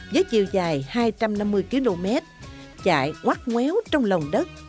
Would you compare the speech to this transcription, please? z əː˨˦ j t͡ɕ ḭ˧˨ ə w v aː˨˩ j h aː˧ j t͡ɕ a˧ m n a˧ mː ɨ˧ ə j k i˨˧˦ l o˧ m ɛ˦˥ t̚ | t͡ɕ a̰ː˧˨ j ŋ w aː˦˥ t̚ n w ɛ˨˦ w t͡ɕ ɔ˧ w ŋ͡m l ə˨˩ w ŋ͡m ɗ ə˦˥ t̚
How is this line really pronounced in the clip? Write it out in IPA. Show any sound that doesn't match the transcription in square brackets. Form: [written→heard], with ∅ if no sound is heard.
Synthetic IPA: z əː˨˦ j t͡ɕ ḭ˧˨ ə w [v→z] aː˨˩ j h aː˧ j t͡ɕ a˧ m n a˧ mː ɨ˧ ə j k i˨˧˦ l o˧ m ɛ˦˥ t̚ | t͡ɕ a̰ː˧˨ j ŋ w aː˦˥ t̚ [n→ŋ] w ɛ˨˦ w t͡ɕ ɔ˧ w ŋ͡m l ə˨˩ w ŋ͡m ɗ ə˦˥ t̚